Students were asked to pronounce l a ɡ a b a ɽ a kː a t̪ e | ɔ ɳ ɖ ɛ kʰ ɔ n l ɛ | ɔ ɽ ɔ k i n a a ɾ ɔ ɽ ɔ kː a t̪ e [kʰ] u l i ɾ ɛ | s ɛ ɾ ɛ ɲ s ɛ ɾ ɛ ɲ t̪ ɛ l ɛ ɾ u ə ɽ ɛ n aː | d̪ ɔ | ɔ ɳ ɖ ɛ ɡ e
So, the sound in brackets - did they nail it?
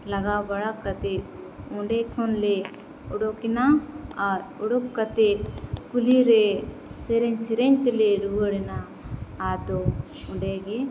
no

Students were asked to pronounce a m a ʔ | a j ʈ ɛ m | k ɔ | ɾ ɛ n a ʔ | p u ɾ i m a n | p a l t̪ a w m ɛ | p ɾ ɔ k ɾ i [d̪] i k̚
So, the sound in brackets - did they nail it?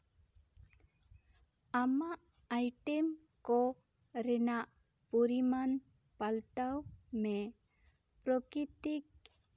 no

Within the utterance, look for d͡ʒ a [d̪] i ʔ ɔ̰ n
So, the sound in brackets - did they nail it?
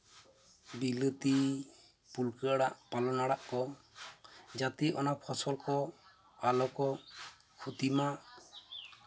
no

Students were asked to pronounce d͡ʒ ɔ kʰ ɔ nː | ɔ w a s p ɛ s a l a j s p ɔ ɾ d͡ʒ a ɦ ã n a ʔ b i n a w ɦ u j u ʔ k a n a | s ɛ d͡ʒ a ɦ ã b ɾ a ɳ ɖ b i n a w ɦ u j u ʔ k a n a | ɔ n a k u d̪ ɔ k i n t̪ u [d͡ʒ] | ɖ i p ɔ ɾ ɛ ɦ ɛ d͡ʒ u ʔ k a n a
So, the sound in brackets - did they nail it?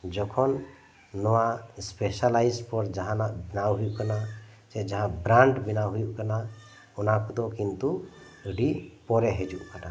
no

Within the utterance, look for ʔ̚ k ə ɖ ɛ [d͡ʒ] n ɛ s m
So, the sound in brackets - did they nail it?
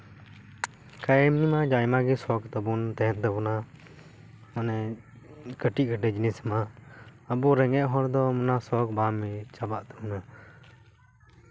yes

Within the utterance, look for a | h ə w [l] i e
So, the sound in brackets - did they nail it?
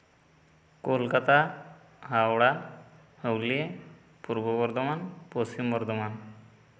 yes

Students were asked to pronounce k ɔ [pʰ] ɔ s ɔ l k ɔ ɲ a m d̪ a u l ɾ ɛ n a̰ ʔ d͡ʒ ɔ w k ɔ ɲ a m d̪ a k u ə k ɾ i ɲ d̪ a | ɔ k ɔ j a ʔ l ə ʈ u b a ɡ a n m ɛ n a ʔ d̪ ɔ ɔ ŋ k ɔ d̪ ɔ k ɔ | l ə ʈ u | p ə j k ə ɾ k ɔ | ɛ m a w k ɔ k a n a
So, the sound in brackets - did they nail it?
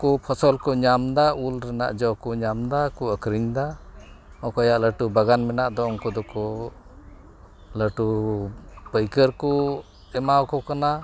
yes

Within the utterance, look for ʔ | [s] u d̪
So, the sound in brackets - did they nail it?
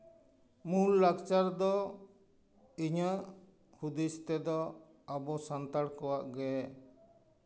no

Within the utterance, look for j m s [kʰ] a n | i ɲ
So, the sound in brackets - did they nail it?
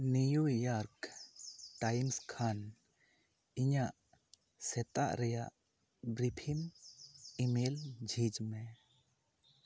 yes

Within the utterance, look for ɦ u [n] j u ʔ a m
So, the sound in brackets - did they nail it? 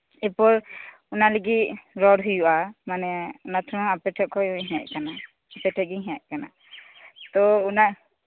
no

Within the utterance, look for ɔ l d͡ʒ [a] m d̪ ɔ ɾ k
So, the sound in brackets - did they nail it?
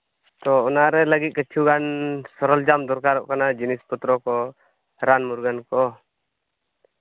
yes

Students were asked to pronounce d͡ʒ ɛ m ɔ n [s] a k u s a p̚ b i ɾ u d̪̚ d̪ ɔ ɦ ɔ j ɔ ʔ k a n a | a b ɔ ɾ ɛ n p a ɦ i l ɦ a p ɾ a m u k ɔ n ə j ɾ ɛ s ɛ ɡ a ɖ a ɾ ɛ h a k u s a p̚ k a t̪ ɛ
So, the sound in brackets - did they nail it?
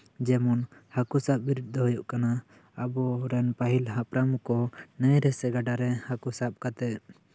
no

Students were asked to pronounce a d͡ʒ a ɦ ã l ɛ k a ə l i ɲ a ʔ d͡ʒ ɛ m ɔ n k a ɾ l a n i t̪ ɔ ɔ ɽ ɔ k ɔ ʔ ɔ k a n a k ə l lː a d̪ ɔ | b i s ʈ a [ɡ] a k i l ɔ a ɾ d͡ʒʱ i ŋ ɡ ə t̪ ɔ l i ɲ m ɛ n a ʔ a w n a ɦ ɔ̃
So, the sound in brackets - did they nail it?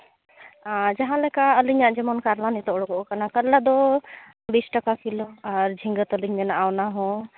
no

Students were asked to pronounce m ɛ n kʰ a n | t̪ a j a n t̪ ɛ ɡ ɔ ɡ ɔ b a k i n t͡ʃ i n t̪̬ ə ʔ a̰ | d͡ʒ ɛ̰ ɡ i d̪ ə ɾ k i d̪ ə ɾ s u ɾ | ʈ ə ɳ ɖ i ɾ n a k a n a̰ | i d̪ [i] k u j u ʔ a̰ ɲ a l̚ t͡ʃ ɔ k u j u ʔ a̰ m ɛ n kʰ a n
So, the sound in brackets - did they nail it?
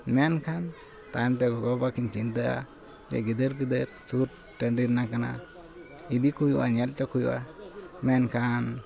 yes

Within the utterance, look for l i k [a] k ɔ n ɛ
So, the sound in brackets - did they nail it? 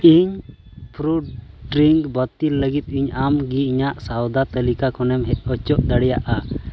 yes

